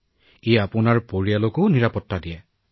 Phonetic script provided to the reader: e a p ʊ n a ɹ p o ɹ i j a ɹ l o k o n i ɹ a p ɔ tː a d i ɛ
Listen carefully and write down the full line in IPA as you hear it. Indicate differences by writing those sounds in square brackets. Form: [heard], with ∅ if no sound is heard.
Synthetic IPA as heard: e a p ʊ n a ɹ p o ɹ i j a [∅] l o k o n i ɹ a p ɔ tː a d i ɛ